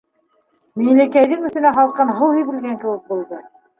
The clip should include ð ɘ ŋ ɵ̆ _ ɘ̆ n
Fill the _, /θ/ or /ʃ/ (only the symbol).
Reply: θ